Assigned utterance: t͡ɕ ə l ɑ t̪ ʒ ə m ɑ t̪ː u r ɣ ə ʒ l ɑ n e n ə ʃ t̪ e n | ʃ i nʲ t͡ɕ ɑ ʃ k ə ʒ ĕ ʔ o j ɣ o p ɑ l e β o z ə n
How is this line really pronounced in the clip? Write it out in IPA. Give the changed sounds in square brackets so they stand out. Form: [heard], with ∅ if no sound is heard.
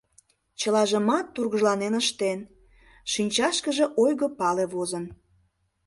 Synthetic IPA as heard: t͡ɕ ə l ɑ [∅] ʒ ə m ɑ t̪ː u r ɣ ə ʒ l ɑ n e n ə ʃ t̪ e n | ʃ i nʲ t͡ɕ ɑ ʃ k ə ʒ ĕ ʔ o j ɣ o p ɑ l e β o z ə n